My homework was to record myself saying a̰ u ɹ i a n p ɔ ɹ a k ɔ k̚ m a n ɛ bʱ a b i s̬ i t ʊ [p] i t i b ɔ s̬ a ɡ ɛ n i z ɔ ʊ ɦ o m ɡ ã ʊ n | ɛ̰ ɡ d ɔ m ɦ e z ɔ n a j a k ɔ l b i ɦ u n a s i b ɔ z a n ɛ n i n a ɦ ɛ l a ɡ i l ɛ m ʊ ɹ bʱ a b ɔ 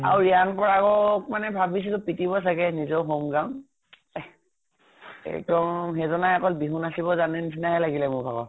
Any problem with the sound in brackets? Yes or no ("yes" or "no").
no